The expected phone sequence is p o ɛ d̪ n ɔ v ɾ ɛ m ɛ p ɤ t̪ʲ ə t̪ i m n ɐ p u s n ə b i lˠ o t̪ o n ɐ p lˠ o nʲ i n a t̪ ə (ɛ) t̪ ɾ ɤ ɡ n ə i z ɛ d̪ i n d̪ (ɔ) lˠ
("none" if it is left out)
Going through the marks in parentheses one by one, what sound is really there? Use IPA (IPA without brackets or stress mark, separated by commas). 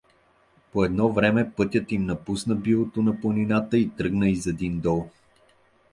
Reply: i, ɔ